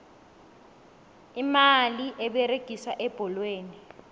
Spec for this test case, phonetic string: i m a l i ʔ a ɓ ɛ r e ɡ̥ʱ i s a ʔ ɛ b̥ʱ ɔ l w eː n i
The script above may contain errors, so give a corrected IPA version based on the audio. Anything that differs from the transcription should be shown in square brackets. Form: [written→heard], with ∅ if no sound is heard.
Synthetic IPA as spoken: i m a l i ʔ [a→ɛ] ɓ ɛ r e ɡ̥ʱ i s a ʔ ɛ b̥ʱ ɔ l w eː n i

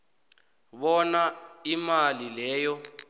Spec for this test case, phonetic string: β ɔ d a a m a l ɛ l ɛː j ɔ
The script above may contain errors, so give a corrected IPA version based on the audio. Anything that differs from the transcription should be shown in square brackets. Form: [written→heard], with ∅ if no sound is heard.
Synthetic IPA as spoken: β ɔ [d→n] a [a→i] m a l [ɛ→i] l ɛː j ɔ

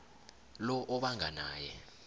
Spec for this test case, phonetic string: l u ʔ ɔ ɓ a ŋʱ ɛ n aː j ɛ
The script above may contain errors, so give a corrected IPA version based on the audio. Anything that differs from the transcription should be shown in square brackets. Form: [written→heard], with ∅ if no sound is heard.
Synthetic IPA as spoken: l [u→ɔ] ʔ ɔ ɓ a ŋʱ [ɛ→a] n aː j ɛ

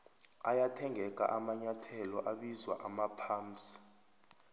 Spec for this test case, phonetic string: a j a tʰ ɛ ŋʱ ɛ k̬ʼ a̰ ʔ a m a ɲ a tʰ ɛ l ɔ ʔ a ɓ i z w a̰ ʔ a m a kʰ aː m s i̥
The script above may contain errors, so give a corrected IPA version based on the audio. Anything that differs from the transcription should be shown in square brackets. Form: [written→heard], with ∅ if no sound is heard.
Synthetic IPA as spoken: a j a tʰ ɛ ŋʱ ɛ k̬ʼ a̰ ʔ a m a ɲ a tʰ ɛ l ɔ ʔ a ɓ i z w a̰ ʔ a m a [kʰ→pʰ] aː m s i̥

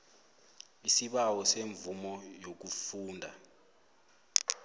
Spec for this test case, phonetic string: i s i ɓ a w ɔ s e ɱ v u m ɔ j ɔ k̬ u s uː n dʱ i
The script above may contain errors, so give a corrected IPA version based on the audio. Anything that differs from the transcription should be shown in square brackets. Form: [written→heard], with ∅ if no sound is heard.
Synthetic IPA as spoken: i s i ɓ a w ɔ s e ɱ v u m ɔ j [ɔ→o] k̬ u [s→f] uː n dʱ [i→a]

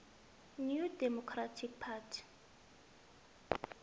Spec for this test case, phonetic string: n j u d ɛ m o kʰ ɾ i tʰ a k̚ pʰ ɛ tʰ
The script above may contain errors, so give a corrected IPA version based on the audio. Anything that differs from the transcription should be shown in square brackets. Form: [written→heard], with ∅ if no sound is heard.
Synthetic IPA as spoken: n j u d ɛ m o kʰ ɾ [i→a] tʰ [a→i] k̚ pʰ [ɛ→a] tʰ

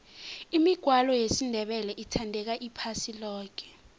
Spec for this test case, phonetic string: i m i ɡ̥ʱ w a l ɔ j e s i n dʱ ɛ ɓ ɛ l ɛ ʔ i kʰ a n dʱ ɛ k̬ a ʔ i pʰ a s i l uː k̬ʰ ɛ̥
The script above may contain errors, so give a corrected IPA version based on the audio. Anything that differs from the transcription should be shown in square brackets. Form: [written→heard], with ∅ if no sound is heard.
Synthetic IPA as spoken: i m i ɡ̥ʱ w a l ɔ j e s i n dʱ ɛ ɓ ɛ l ɛ ʔ i [kʰ→tʰ] a n dʱ ɛ k̬ a ʔ i pʰ a s i l [uː→ɔː] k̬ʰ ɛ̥

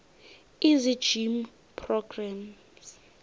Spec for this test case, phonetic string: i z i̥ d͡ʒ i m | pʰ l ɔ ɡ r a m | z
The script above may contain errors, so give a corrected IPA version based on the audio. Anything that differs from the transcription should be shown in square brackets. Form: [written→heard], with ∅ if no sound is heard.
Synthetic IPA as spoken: i z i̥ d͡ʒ i m | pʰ [l→r] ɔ ɡ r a m | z

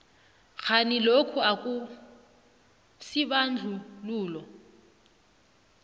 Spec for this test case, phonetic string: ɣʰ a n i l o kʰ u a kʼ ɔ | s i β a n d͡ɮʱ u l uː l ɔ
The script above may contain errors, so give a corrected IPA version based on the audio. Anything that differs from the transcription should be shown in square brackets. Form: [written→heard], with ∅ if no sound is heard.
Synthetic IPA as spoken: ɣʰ a n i l o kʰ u a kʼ [ɔ→u] | s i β a n d͡ɮʱ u l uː l ɔ

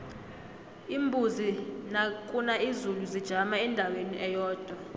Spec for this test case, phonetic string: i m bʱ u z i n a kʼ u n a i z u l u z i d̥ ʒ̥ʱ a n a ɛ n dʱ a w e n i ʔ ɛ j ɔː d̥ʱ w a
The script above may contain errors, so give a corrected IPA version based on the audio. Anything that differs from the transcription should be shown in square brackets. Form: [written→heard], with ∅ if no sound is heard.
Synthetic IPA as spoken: i m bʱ u z i n a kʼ u n a i z u l u z i d̥ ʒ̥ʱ a [n→m] a ɛ n dʱ a w e n i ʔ ɛ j ɔː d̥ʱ w a

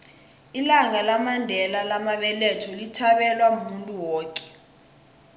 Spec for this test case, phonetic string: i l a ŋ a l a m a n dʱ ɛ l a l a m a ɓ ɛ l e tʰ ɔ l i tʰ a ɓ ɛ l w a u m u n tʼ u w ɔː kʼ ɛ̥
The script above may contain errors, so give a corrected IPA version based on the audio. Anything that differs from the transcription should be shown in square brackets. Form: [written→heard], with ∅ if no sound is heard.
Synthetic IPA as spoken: i l a ŋ a l a m a n dʱ ɛ l a l a m a ɓ ɛ l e tʰ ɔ l i tʰ a ɓ ɛ l w a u m u n tʼ u w ɔː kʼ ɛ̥

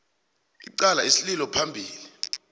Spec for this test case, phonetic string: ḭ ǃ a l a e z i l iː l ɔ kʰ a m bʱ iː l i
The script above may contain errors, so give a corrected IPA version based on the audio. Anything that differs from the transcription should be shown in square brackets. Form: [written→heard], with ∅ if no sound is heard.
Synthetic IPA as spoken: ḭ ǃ a l a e [z→s] i l [iː→i] l ɔ [kʰ→pʰ] a m bʱ iː l i

